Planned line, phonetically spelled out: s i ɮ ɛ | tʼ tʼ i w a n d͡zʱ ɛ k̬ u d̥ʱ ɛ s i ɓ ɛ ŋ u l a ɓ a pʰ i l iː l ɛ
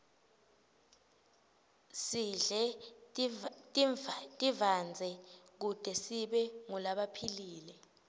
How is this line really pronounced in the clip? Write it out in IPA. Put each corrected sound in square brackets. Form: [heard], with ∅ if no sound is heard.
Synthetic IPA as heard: s i ɮ ɛ | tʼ tʼ i [v] a n d͡zʱ ɛ k̬ u d̥ʱ ɛ s i ɓ ɛ ŋ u l a ɓ a pʰ i l iː l ɛ